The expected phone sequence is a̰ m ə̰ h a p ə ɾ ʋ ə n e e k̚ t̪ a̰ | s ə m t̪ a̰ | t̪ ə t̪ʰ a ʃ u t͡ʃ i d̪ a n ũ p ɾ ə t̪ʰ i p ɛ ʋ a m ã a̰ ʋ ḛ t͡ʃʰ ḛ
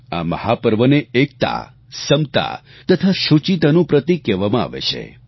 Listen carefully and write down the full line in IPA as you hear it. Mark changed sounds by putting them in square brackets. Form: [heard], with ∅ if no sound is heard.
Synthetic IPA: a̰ m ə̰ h a p ə ɾ ʋ ə n e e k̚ t̪ a̰ | s ə m t̪ a̰ | t̪ ə t̪ʰ a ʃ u t͡ʃ i [t̪] a n ũ p ɾ ə [t̪] i [k] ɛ ʋ a m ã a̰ ʋ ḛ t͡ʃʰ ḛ